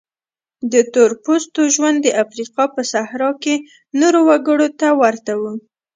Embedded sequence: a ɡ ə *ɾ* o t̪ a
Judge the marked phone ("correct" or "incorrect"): incorrect